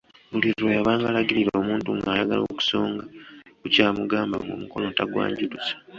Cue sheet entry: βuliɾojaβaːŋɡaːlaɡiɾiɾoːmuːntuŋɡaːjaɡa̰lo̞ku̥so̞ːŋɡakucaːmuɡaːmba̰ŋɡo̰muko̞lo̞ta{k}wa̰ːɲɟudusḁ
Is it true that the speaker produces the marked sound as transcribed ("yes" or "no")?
no